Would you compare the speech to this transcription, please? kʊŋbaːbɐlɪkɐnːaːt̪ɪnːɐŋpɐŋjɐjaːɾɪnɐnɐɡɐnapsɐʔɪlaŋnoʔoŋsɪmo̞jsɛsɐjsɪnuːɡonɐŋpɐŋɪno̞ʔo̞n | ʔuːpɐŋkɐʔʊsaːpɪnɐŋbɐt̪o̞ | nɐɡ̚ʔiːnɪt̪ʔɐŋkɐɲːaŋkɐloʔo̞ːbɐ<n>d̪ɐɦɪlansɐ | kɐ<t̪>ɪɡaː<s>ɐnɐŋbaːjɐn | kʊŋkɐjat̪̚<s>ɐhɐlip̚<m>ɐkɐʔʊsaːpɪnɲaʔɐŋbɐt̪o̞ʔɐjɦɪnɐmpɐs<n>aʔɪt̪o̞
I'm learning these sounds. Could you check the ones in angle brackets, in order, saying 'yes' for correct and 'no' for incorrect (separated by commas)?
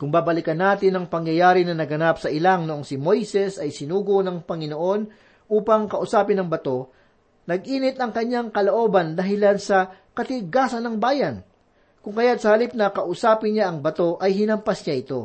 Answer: yes, yes, yes, yes, no, no